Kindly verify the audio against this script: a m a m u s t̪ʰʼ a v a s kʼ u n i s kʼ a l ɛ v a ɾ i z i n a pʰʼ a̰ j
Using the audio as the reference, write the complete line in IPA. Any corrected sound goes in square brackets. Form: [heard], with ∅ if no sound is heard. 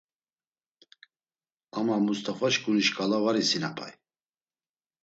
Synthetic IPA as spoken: a m a m u s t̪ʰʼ a [f] a [ʃ] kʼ u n i [ʃ] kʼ a l [a] v a ɾ i [s] i n a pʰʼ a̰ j